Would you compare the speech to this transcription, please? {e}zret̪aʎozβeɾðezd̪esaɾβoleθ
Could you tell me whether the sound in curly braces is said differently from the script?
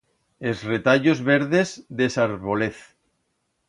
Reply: no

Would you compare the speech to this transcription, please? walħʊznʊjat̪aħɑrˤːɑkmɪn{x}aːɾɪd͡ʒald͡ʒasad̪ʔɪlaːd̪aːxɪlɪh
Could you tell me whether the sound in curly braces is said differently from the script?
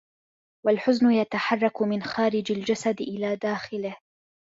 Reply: no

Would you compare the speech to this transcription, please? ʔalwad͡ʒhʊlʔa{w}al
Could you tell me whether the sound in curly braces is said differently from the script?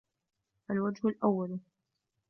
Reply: yes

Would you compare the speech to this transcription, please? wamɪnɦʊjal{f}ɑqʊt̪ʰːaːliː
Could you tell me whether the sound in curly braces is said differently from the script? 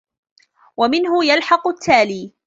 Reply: yes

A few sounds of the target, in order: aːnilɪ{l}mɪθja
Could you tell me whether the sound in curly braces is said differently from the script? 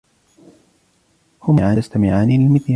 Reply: no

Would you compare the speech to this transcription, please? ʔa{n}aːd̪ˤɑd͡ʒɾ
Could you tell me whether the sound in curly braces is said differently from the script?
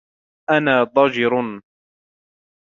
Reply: no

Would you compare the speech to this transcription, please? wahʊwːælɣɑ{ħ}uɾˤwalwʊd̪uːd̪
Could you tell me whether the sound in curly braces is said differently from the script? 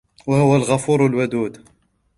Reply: yes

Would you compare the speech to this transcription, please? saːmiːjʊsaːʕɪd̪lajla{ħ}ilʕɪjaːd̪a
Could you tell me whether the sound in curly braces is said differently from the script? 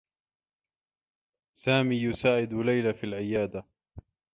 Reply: yes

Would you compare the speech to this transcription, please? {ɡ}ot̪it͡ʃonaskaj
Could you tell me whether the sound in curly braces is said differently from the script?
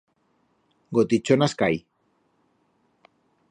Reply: no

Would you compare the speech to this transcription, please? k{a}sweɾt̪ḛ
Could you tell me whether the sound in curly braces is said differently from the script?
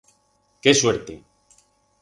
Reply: yes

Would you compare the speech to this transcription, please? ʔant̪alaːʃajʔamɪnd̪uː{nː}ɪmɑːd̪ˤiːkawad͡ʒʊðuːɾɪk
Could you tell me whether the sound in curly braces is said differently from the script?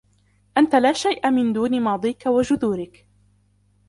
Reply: yes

